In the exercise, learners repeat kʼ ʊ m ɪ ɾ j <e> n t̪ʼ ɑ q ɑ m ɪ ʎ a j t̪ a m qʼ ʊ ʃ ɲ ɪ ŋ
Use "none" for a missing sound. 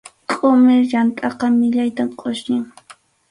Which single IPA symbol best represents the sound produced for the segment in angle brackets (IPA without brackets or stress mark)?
a